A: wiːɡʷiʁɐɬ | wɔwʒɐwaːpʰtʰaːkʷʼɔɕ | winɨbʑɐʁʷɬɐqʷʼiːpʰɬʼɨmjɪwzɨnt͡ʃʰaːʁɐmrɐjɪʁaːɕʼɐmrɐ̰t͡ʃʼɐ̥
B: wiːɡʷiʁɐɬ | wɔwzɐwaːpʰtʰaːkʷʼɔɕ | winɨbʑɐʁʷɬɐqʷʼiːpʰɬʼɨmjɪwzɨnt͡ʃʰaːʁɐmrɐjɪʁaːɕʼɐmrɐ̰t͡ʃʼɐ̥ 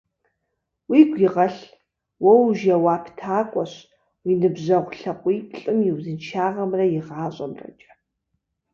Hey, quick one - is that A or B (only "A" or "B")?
A